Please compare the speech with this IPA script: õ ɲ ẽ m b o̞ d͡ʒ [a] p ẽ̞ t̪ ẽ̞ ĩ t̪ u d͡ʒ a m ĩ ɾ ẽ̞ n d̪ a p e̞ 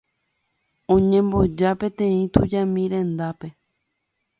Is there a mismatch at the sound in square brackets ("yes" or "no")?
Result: no